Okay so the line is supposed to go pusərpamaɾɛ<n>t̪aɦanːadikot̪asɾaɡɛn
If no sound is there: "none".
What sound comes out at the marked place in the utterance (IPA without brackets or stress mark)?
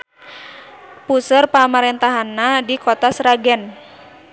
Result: n